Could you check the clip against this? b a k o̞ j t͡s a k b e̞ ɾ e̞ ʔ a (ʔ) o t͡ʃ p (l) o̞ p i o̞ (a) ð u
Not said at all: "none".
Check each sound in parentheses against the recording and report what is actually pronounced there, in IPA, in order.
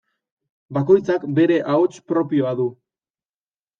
none, ɾ, a

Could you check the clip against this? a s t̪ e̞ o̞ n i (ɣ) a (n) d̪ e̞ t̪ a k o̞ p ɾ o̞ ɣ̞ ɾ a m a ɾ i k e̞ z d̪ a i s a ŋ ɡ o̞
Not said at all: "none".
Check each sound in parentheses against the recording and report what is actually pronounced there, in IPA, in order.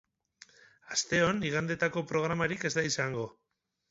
ɣ, n

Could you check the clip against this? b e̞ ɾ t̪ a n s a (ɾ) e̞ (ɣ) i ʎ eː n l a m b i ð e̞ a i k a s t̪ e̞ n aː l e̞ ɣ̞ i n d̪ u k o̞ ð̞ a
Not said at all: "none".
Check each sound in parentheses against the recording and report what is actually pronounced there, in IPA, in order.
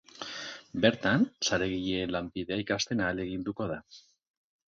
ɾ, ɣ

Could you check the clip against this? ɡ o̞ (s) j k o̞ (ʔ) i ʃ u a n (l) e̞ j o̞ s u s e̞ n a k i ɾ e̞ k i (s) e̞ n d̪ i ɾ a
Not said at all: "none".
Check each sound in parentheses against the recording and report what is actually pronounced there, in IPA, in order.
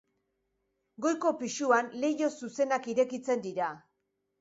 none, p, l, t͡s

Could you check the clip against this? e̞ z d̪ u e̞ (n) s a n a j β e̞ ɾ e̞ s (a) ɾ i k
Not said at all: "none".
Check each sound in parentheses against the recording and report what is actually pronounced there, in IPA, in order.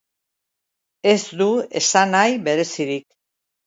none, i

